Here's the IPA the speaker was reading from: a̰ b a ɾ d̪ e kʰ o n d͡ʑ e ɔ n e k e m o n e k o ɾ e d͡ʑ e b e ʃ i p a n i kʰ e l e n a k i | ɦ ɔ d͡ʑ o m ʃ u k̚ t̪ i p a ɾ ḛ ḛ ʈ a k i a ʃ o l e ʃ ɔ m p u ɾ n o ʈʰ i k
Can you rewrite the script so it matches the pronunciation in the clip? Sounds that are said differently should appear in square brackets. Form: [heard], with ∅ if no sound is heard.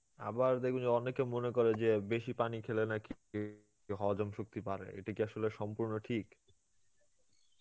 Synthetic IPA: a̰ b a ɾ d̪ e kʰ [u] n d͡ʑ e ɔ n e k e m o n e k o ɾ e d͡ʑ e b e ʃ i p a n i kʰ e l e n a k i | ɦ ɔ d͡ʑ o m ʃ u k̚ t̪ i p a ɾ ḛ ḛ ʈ a k i a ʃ o l e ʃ ɔ m p u ɾ n o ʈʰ i k